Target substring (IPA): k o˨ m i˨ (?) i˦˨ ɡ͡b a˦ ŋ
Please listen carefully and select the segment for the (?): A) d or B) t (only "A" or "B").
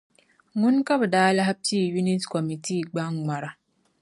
B